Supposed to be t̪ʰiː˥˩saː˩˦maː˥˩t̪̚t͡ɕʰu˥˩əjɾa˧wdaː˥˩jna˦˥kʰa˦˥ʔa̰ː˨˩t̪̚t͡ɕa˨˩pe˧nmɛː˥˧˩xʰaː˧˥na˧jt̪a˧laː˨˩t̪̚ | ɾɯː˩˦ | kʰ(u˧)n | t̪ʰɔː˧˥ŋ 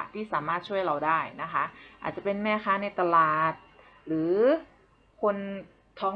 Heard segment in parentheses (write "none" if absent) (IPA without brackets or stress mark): o˧